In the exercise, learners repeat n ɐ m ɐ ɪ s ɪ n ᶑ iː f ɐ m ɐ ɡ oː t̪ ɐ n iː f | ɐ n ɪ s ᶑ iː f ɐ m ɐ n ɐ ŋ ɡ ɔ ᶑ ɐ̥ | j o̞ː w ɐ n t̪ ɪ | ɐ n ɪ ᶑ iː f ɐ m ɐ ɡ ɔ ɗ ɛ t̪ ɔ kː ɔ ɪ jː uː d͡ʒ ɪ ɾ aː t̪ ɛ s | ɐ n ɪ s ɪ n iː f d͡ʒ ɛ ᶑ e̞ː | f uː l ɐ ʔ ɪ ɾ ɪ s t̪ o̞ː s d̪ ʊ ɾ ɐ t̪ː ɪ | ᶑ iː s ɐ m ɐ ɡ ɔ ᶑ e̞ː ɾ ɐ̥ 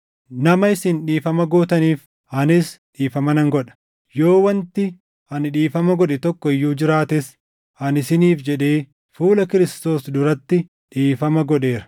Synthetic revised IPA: n ɐ m ɐ ɪ s ɪ n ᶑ iː f ɐ m ɐ ɡ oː t̪ ɐ n iː f | ɐ n ɪ s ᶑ iː f ɐ m ɐ n ɐ ŋ ɡ ɔ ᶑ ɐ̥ | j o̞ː w ɐ n t̪ ɪ | ɐ n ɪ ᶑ iː f ɐ m ɐ ɡ ɔ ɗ ɛ t̪ ɔ kː ɔ ɪ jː uː d͡ʒ ɪ ɾ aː t̪ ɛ s | ɐ n ɪ s ɪ n iː f d͡ʒ ɛ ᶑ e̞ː | f uː l ɐ k ɪ ɾ ɪ s t̪ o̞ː s d̪ ʊ ɾ ɐ t̪ː ɪ | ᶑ iː f ɐ m ɐ ɡ ɔ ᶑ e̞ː ɾ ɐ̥